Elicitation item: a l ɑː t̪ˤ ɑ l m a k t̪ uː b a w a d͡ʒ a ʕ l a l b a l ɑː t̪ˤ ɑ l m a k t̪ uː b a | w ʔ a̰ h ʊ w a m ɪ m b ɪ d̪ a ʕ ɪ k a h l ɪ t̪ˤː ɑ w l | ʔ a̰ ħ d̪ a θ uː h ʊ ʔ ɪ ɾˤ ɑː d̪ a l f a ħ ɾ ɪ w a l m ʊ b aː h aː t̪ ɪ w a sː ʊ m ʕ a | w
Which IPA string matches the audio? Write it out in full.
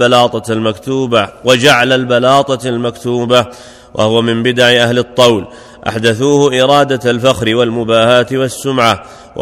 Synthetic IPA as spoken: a l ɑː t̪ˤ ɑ l m a k t̪ uː b a w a d͡ʒ a ʕ l a l b a l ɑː t̪ˤ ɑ l m a k t̪ uː b a | w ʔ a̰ h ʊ w a m ɪ m b ɪ d̪ a ʕ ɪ ʔ a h l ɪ t̪ˤː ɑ w l | ʔ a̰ ħ d̪ a θ uː h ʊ ʔ ɪ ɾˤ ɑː d̪ a l f a x ɾ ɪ w a l m ʊ b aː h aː t̪ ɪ w a sː ʊ m ʕ a | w